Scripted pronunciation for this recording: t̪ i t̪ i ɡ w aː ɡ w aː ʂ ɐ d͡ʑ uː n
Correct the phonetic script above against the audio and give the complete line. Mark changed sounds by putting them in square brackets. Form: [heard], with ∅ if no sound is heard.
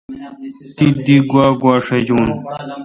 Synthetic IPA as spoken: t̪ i [d̪] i ɡ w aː ɡ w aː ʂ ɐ d͡ʑ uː n